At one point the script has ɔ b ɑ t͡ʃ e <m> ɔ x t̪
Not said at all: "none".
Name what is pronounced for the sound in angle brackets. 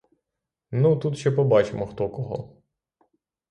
m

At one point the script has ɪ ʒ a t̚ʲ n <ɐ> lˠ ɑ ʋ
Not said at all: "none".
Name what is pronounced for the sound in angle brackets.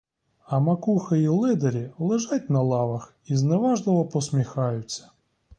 ɐ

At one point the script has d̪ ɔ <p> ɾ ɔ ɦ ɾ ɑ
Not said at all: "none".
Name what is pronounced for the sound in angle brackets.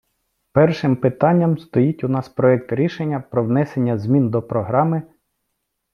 p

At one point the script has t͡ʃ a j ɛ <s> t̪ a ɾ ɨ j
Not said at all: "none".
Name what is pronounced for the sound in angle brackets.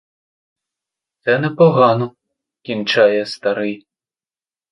s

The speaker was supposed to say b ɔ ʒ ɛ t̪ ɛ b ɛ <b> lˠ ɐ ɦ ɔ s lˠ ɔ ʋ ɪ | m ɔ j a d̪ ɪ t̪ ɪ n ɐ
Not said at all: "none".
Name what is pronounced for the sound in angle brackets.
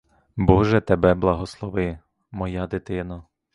b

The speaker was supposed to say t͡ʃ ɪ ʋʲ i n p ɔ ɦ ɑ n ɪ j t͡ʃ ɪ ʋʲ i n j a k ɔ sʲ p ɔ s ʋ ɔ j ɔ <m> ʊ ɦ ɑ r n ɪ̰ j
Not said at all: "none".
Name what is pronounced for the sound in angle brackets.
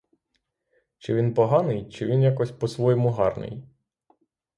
m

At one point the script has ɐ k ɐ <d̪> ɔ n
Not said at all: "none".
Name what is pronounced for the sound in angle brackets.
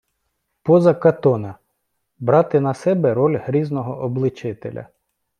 t̪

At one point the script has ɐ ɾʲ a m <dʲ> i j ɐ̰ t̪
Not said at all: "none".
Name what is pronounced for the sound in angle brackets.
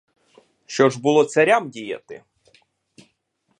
dʲ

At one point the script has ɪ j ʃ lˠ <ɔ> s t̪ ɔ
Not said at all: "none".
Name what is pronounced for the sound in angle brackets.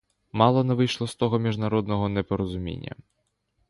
ɔ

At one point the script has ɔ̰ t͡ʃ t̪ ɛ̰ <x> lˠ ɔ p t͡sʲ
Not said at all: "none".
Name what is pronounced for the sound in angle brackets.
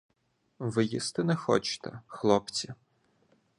x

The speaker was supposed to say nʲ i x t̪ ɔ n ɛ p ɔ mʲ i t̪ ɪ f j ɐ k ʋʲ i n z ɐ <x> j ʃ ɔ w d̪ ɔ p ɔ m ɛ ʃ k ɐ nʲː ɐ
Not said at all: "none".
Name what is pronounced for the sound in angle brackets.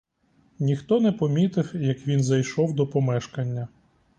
none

